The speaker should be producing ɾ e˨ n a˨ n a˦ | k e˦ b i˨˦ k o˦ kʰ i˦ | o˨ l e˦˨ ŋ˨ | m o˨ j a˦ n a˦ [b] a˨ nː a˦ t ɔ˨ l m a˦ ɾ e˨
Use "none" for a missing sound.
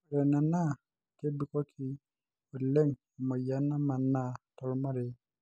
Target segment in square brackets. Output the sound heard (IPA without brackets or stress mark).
m